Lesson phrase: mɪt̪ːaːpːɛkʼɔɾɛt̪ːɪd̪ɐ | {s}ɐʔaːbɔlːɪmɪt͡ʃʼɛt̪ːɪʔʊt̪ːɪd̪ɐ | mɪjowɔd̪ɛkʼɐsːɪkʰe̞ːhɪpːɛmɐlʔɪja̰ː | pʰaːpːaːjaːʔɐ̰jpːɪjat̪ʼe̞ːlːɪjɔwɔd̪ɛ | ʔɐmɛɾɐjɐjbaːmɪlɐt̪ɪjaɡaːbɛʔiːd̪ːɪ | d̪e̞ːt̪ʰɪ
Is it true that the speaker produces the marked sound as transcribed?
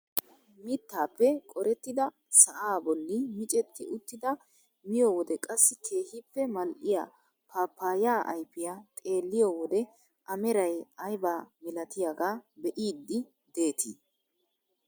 yes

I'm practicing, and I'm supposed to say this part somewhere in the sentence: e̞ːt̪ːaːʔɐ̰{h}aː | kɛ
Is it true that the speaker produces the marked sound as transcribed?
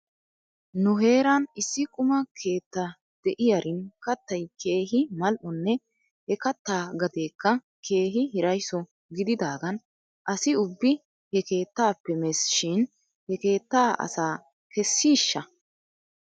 no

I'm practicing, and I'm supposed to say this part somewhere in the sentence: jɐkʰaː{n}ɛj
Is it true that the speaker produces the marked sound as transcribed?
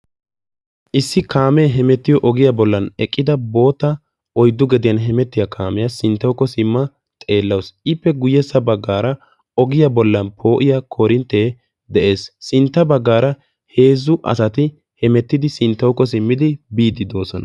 no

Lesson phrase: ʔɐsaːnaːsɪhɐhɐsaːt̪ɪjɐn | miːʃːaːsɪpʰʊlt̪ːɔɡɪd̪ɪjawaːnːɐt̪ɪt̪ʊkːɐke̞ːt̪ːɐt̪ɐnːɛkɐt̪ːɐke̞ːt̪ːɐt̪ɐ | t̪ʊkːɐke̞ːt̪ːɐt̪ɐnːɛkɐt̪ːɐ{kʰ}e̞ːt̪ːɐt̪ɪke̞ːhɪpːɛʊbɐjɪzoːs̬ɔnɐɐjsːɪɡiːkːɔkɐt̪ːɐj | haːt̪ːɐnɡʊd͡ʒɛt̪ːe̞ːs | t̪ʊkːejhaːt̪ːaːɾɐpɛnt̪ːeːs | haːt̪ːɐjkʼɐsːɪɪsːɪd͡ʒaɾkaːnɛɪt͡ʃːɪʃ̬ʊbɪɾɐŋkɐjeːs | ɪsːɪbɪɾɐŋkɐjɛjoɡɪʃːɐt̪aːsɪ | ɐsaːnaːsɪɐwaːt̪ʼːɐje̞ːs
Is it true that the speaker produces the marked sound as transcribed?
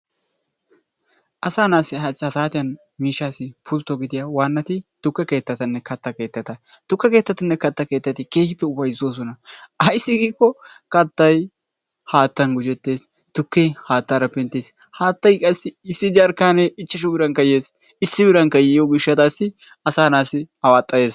no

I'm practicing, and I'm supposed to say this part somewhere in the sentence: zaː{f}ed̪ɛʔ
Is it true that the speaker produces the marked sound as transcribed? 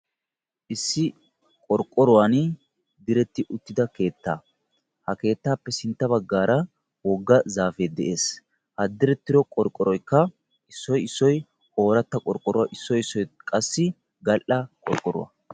yes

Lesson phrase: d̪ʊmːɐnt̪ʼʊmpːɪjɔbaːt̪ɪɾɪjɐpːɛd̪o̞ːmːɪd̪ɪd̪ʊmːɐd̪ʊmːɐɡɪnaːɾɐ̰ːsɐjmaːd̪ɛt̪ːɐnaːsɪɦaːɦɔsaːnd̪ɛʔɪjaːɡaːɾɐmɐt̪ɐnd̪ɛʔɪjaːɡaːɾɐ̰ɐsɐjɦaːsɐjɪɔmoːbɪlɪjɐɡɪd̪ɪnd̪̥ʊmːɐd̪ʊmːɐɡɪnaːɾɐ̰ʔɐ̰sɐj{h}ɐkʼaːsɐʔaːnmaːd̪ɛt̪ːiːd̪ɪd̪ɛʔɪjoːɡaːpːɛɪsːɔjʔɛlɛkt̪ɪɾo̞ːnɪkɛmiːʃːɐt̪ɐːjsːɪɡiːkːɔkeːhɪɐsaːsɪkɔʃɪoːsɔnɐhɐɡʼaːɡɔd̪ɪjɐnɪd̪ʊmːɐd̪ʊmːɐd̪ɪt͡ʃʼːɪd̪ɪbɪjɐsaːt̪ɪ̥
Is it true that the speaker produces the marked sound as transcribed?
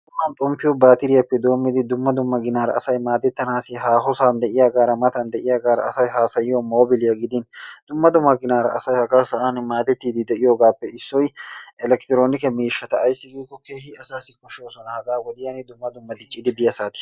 yes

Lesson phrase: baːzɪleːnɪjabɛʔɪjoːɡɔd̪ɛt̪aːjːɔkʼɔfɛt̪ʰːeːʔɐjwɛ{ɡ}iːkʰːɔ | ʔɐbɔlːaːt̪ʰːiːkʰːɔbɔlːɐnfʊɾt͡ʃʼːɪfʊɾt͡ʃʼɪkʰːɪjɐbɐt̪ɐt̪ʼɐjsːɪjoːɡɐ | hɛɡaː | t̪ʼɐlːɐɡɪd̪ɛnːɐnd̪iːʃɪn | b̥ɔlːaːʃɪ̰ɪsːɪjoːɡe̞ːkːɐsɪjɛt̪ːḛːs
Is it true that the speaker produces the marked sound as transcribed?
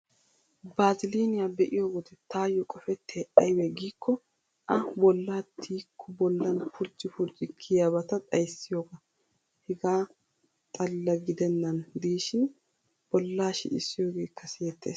yes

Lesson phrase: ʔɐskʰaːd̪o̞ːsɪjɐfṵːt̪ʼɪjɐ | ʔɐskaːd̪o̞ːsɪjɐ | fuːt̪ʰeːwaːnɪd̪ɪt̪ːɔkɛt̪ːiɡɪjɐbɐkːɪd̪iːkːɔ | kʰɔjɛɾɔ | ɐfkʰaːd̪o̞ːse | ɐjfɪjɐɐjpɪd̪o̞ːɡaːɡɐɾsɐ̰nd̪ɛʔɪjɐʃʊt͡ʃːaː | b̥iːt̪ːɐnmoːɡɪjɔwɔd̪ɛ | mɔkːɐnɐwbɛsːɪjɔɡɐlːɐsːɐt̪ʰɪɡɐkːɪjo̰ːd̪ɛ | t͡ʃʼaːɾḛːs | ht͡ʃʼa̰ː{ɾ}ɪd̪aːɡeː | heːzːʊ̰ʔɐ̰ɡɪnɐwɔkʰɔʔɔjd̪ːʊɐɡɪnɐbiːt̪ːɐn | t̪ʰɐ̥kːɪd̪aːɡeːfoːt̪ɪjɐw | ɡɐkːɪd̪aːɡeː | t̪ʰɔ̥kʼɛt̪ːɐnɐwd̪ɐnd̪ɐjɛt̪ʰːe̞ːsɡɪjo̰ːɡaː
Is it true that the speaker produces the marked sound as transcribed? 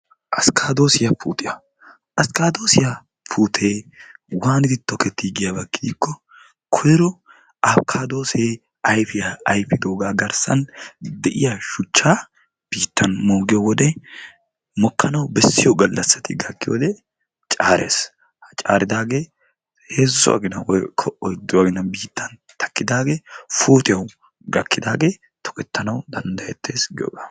yes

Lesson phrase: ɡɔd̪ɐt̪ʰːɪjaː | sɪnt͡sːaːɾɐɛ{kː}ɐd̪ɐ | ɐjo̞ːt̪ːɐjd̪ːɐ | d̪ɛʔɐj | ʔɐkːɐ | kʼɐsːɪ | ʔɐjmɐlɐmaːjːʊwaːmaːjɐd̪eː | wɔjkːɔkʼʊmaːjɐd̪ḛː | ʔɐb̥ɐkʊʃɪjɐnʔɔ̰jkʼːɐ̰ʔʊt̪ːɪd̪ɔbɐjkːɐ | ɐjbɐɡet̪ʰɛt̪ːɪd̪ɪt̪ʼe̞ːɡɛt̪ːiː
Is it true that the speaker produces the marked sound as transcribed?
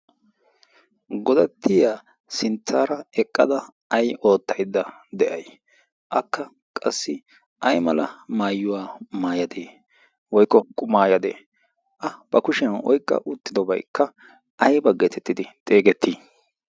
no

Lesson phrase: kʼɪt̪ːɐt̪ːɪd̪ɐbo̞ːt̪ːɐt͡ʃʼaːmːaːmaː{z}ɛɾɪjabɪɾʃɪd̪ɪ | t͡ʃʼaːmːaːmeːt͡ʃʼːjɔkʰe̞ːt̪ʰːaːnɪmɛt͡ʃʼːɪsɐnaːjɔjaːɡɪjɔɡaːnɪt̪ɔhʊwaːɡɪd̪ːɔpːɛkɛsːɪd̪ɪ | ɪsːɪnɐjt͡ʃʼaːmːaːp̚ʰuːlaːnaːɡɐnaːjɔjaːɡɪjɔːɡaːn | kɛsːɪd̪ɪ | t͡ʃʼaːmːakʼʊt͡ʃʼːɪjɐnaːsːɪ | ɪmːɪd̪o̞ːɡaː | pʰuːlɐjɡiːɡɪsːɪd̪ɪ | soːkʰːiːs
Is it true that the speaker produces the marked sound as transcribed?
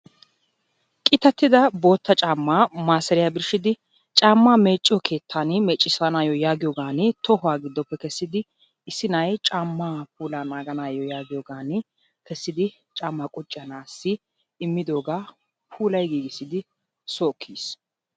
no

